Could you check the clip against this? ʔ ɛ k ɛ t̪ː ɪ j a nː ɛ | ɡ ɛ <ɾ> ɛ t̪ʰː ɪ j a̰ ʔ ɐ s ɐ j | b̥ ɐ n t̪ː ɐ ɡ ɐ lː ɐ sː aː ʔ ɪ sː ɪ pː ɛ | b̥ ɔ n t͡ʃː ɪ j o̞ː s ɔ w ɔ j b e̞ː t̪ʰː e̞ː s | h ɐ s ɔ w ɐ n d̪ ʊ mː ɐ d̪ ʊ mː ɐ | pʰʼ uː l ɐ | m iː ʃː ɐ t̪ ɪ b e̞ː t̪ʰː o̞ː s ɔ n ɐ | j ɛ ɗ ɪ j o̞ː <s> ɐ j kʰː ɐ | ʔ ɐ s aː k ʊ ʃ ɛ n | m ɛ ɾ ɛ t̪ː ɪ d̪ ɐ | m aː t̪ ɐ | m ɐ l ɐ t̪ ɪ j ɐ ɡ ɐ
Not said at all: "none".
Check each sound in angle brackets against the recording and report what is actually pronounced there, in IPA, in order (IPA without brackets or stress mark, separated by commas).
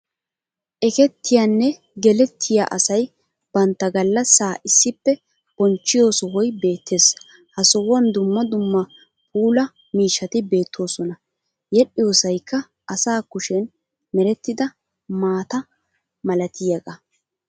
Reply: l, s